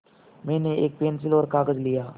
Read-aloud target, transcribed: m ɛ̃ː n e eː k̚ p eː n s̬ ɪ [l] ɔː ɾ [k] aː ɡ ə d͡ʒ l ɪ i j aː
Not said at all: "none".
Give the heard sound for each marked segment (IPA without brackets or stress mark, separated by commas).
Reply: l, k